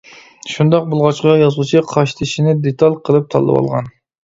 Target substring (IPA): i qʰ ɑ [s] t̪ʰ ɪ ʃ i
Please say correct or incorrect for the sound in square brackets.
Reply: incorrect